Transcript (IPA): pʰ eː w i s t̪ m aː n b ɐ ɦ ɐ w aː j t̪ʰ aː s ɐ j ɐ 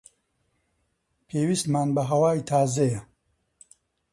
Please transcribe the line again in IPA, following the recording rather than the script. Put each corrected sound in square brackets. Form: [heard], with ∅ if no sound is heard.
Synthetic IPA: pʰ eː w i s t̪ m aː n b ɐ ɦ ɐ w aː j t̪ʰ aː [z] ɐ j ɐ